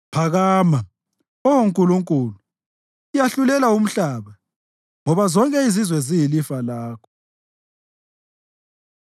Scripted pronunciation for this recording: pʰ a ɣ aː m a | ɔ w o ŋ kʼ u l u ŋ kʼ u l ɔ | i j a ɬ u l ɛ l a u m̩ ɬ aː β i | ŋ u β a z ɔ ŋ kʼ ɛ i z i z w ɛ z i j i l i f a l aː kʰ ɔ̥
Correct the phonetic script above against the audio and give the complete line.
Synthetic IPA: pʰ a ɣ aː m a | ɔ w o ŋ kʼ u l u ŋ kʼ u l u | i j a ɬ u l ɛ l a u m̩ ɬ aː β a | ŋ ɔ β a z ɔ ŋ kʼ ɛ i z i z w ɛ z i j i l i f a l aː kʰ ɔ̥